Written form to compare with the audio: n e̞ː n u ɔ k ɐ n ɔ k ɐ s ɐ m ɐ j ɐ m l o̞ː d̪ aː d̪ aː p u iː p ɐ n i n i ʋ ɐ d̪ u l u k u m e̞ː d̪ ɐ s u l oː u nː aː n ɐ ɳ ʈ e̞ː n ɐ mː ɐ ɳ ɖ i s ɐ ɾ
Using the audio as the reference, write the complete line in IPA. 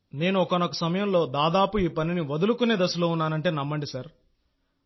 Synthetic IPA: n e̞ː n u ɔ k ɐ n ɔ k ɐ s ɐ m ɐ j ɐ m l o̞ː d̪ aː d̪ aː p u iː p ɐ n i n i ʋ ɐ d̪ u l u k u n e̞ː d̪ ɐ s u l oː u nː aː n ɐ ɳ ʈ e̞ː n ɐ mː ɐ ɳ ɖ i s ɐ ɾ

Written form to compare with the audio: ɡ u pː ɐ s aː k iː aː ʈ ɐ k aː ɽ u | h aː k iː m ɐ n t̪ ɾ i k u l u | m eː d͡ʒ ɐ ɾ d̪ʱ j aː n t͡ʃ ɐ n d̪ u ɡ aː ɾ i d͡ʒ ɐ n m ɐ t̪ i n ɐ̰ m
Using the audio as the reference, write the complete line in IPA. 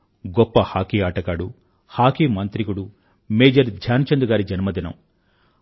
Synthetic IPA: ɡ ɔ pː ɐ h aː k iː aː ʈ ɐ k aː ɽ u | h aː k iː m ɐ n t̪ ɾ i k u ɽ u | m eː d͡ʒ ɐ ɾ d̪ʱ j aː n t͡ʃ ɐ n d̪ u ɡ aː ɾ i d͡ʒ ɐ n m ɐ d̪ i n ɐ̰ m

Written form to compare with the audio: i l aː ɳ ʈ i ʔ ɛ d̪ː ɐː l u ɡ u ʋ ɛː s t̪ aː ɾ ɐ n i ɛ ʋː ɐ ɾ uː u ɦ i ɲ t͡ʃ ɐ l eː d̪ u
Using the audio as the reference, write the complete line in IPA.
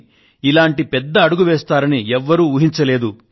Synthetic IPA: i l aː ɳ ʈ i p ɛ d̪ː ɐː ɽ u ɡ u ʋ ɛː s t̪ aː ɾ ɐ n i ɛ ʋː ɐ ɾ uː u ɦ i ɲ t͡ʃ ɐ l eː d̪ u

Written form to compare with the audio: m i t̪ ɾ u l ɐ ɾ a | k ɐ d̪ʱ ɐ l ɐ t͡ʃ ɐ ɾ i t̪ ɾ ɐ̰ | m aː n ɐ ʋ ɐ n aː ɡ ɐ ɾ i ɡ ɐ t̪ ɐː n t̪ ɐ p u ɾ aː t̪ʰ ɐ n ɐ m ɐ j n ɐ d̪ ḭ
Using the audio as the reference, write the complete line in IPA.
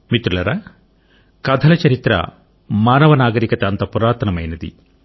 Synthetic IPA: m i t̪ ɾ u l ɐ ɾ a | k ɐ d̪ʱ ɐ l ɐ t͡ʃ ɐ ɾ i t̪ ɾ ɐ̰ | m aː n ɐ ʋ ɐ n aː ɡ ɐ ɾ i k ɐ t̪ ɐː n t̪ ɐ p u ɾ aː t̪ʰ ɐ n ɐ m ɐ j n ɐ d̪ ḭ

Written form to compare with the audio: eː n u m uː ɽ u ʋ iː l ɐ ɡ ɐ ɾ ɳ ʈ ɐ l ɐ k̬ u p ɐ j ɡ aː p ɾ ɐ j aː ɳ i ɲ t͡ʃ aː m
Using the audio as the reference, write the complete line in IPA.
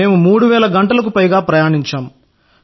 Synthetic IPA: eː m u m uː ɽ u ʋ ɛː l ɐ ɡ ɐ ɳ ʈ ɐ l ɐ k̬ u p ɐ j ɡ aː p ɾ ɐ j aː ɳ i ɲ t͡ʃ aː m

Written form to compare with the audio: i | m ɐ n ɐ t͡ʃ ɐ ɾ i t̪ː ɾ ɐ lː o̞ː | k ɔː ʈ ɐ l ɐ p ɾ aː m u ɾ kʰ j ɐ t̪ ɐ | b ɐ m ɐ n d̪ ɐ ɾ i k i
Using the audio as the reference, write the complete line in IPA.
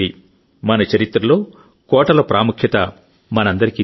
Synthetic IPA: i | m ɐ n ɐ t͡ʃ ɐ ɾ i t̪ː ɾ ɐ l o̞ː | k ɔː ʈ ɐ l ɐ p ɾ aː m u kʰ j ɐ t̪ ɐ | m ɐ n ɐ n d̪ ɐ ɾ i k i

